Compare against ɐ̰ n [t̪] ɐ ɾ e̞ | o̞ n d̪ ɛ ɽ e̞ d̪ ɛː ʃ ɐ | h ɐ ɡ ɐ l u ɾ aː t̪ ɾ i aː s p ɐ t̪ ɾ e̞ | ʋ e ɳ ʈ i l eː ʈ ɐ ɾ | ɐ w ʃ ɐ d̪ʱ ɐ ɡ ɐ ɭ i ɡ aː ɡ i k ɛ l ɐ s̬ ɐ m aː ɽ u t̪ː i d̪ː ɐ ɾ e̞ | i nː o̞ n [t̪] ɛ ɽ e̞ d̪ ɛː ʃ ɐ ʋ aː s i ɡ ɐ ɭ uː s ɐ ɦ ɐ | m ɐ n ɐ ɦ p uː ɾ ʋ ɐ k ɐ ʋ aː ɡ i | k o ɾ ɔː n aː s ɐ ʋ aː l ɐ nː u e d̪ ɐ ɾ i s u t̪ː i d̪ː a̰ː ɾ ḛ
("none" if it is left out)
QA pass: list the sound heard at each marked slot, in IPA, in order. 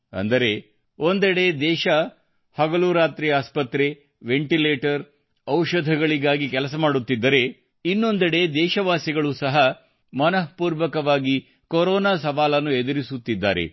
d̪, d̪

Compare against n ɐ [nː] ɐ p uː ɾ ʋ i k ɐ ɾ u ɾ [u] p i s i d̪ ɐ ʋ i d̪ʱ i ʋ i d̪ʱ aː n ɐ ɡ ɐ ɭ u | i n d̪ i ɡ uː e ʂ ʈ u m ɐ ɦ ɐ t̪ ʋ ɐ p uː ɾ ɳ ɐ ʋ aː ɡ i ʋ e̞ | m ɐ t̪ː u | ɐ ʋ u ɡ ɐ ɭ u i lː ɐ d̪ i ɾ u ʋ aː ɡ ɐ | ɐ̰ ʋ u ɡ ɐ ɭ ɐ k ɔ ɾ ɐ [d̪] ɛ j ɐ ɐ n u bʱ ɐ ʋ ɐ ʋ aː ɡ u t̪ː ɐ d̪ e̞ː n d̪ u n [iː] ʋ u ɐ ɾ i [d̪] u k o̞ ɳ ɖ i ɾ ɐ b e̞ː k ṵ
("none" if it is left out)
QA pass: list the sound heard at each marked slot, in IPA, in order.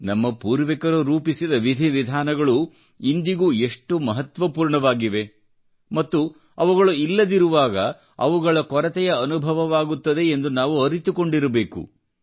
mː, uː, t̪, aː, t̪

